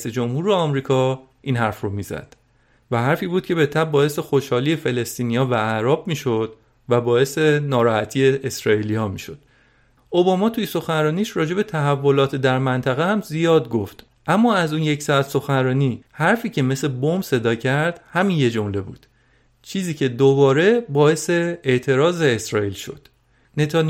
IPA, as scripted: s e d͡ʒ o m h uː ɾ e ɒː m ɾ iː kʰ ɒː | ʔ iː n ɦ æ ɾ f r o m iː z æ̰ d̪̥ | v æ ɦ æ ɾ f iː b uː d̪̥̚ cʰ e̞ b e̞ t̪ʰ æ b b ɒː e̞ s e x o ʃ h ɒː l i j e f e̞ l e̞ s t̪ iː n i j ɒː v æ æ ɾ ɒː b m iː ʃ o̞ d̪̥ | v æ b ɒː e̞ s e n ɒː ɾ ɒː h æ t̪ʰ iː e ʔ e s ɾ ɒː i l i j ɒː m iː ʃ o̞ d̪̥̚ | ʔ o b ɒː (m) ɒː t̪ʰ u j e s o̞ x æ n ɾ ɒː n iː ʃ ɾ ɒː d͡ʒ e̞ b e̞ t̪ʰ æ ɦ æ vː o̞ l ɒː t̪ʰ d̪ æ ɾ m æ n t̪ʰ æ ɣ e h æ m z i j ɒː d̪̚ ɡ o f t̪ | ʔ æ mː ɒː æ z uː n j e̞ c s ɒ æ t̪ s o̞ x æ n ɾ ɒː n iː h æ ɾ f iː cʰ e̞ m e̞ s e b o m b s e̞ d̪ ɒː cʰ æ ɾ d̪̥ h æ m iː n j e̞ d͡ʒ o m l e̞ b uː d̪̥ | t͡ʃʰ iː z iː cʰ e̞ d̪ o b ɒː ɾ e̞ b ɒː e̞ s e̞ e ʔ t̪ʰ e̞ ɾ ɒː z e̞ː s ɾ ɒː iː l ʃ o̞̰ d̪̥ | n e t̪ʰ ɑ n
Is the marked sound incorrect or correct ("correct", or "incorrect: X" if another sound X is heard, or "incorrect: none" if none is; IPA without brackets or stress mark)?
correct